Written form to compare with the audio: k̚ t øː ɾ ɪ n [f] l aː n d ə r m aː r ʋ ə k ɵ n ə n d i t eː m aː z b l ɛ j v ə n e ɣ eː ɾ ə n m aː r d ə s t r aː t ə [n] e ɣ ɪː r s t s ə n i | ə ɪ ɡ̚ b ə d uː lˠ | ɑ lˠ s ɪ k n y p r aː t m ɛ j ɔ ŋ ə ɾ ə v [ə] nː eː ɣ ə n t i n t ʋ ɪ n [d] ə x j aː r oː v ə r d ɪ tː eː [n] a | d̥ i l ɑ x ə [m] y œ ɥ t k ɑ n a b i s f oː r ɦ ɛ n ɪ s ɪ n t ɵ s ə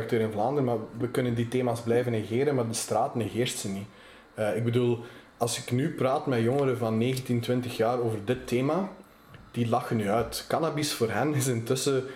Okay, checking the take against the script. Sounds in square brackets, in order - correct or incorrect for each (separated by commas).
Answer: incorrect, correct, incorrect, incorrect, incorrect, incorrect